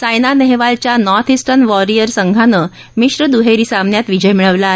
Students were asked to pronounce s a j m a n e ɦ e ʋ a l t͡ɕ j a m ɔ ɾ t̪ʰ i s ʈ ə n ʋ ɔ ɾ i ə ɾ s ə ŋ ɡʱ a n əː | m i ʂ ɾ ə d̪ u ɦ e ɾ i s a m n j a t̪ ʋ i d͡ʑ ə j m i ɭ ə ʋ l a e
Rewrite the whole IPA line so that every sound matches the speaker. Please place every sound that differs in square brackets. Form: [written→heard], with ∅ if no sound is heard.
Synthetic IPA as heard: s a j [m→n] a n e ɦ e ʋ a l t͡ɕ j a [m→n] ɔ ɾ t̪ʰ i s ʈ ə n ʋ ɔ ɾ i ə ɾ s ə ŋ ɡʱ a n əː | m i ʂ ɾ ə d̪ u ɦ e ɾ i s a m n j a t̪ ʋ i d͡ʑ ə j m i ɭ ə ʋ l a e